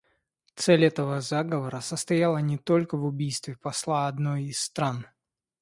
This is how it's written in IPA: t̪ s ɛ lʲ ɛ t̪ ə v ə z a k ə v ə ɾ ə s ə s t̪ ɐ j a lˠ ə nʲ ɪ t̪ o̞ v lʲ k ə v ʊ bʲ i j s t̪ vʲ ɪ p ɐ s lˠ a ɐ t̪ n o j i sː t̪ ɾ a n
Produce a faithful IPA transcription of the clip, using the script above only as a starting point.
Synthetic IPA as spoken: t̪ s ɛ lʲ ɛ t̪ ə v ə z a ɡ ə v ə ɾ ə s ə s t̪ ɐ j a lˠ ə nʲ ɪ t̪ o̞ lʲ k ə v ʊ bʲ i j s t̪ vʲ ɪ p ɐ s lˠ a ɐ d̪ n o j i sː t̪ ɾ a n